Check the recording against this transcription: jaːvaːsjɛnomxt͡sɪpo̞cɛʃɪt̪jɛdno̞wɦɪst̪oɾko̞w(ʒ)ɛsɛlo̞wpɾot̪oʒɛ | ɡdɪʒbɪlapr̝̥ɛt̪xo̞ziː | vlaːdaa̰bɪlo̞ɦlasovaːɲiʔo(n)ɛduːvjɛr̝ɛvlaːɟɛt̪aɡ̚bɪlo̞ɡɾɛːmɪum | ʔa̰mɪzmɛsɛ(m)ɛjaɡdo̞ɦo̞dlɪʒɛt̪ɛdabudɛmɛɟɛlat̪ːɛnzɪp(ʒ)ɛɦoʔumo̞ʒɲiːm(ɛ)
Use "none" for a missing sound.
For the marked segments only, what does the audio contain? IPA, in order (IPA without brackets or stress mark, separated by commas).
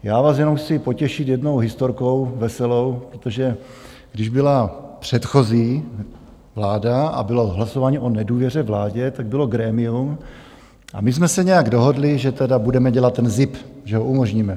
v, n, ɲ, ʒ, ɛ